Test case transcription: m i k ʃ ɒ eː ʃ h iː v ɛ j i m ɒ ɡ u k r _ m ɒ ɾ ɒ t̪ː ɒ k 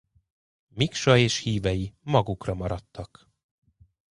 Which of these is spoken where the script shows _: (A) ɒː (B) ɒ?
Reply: B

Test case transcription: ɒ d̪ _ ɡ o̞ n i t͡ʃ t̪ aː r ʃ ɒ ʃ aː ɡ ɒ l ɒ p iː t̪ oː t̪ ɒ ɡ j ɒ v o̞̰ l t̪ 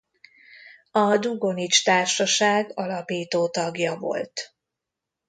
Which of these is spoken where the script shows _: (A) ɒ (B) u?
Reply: B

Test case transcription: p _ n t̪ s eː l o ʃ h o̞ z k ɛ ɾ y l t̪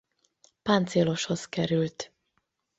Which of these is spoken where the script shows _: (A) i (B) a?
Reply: B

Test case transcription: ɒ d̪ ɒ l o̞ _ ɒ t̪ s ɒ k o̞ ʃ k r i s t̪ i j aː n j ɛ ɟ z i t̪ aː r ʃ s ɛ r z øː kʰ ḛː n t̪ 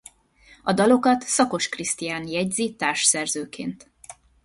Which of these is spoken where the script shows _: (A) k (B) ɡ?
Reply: A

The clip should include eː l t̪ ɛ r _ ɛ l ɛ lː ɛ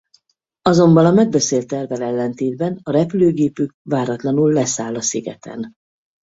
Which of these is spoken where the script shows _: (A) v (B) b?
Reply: A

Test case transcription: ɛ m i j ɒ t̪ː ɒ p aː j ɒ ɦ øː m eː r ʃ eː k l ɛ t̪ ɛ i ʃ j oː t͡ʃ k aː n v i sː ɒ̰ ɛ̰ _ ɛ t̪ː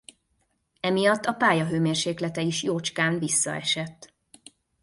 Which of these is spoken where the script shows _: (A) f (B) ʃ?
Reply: B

